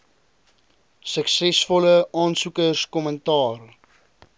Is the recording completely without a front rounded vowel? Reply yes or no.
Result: yes